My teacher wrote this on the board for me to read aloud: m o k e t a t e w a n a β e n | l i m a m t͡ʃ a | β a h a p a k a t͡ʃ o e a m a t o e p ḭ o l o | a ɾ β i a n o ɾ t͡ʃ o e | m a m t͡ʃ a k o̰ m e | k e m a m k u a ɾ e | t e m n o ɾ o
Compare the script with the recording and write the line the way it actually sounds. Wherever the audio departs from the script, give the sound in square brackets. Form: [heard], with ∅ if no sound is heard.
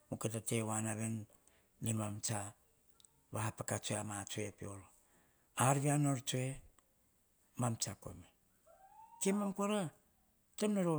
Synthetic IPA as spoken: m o k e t a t e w a n a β e n | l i m a m t͡ʃ a | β a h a p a k a t͡ʃ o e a m a [t͡ʃ] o e p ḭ o l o | a ɾ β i a n o ɾ t͡ʃ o e | m a m t͡ʃ a k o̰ m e | k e m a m k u a ɾ [a] | t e m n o ɾ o